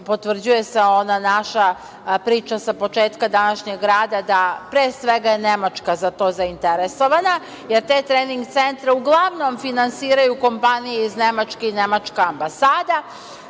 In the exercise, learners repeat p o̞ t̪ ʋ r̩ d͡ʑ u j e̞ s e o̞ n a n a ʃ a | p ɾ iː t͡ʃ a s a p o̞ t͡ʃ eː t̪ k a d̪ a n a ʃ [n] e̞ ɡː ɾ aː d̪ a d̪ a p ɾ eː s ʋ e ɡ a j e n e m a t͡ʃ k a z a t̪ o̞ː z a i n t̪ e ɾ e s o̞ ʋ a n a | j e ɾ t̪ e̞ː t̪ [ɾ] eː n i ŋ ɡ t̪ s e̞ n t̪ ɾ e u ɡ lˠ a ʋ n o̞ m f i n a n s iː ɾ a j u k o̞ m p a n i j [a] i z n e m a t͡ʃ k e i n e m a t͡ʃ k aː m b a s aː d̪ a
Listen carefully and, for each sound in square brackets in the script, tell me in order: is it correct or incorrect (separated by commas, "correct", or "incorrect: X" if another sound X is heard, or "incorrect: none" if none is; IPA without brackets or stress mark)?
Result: incorrect: ɲ, correct, incorrect: e